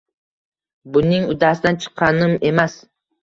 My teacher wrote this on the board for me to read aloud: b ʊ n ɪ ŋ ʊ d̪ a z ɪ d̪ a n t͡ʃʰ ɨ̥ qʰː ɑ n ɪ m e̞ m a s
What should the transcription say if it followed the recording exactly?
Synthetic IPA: b ʊ n ɪ ŋ ʊ d̪ a s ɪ d̪ a n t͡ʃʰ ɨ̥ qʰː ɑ n ɪ m e̞ m a s